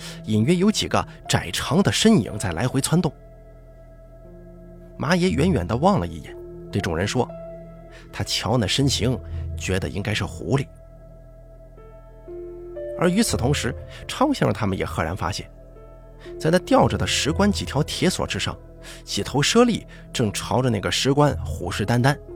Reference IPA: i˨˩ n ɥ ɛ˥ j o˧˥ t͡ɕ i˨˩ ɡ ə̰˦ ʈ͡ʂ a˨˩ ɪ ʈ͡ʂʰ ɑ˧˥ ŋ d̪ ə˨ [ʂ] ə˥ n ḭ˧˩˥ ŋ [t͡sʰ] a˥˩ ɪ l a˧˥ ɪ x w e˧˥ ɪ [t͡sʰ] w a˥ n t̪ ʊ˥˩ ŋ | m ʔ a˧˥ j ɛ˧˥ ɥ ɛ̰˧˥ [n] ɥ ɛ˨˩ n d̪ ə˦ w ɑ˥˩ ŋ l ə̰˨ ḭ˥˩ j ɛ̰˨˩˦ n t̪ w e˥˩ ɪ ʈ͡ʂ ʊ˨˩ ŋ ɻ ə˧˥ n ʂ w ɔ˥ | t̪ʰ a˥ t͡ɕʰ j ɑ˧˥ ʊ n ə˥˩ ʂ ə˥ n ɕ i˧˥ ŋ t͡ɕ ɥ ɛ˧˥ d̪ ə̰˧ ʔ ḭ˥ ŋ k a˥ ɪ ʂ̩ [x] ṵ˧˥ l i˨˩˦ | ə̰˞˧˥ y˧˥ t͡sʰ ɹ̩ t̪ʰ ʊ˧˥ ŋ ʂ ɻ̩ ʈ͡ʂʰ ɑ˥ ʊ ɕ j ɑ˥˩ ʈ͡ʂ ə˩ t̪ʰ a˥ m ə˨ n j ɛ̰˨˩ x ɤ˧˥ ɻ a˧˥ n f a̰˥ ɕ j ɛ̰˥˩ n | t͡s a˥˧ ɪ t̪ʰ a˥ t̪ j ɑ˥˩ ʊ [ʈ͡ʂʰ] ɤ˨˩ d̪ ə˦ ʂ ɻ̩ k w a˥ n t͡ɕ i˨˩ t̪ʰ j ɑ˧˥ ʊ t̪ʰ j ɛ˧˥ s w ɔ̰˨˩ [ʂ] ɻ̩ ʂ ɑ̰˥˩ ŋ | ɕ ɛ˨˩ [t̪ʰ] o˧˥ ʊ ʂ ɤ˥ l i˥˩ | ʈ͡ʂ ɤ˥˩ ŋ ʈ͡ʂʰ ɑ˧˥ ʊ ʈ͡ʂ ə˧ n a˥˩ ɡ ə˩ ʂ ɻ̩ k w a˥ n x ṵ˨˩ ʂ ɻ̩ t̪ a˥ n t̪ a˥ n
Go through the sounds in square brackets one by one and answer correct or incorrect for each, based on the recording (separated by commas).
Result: correct, incorrect, correct, correct, correct, incorrect, incorrect, correct